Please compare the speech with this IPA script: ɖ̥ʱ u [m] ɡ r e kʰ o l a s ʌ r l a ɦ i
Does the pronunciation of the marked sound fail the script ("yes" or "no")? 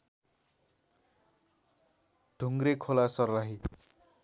yes